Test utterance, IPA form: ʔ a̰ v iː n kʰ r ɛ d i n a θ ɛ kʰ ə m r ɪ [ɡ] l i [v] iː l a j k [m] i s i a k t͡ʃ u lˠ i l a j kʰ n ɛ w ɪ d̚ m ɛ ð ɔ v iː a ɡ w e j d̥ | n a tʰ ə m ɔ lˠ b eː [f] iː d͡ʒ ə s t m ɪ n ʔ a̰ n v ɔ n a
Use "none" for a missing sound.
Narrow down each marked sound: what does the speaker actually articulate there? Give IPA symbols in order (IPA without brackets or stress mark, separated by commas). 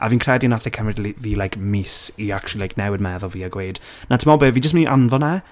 d, v, m, v